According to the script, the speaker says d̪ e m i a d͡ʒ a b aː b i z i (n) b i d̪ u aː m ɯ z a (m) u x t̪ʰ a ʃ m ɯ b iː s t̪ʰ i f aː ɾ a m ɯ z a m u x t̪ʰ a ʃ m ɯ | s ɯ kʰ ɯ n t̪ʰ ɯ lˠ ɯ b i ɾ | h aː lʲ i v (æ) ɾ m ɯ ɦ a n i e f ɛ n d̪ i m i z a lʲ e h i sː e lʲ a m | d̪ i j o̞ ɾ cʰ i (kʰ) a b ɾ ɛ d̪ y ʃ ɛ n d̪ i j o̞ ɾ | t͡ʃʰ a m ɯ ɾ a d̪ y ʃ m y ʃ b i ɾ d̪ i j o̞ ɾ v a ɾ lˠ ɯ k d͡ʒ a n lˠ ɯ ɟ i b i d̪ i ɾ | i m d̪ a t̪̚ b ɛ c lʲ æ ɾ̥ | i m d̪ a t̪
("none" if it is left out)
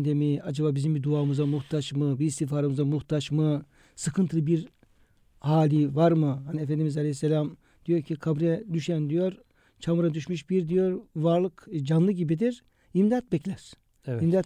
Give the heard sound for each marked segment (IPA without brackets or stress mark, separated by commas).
m, m, a, kʰ